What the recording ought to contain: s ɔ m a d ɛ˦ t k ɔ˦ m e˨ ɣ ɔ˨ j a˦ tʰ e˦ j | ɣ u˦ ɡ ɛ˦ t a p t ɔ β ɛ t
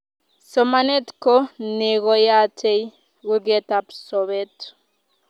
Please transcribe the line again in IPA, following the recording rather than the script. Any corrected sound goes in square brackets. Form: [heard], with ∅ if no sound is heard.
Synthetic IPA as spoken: s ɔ m a [n] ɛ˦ t k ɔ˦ [n] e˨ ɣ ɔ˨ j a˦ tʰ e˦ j | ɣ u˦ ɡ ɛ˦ t a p [s] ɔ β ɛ t